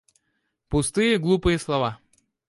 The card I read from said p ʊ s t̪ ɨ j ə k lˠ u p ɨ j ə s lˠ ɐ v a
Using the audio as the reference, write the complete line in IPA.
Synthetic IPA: p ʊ s t̪ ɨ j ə ɡ lˠ u p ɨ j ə s lˠ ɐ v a